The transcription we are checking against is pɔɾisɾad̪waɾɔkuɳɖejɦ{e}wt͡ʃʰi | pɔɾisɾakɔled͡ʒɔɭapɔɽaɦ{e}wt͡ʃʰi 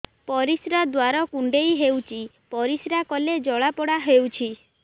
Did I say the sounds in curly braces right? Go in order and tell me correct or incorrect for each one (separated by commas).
correct, correct